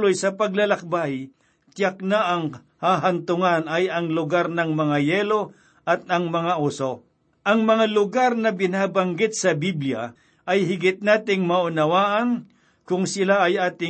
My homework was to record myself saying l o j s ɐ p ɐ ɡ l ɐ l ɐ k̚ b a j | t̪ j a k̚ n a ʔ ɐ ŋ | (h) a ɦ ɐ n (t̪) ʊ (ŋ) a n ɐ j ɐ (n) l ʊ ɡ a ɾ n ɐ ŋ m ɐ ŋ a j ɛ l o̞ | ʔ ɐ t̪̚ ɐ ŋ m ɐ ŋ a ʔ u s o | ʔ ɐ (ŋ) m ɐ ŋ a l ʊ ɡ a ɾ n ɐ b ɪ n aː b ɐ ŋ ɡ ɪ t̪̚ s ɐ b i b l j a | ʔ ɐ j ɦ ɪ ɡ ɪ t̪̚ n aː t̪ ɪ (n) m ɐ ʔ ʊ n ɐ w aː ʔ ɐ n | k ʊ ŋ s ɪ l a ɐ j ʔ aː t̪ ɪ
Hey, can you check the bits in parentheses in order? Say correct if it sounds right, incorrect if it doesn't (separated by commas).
correct, correct, correct, incorrect, correct, incorrect